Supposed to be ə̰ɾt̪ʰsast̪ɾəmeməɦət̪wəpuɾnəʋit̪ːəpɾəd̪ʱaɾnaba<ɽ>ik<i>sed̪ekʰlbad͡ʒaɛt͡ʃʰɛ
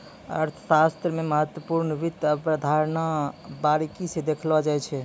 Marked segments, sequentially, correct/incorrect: incorrect, correct

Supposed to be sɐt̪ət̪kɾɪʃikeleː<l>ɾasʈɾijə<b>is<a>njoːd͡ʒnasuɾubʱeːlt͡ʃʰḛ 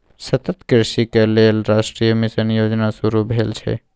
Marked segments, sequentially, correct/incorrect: correct, incorrect, incorrect

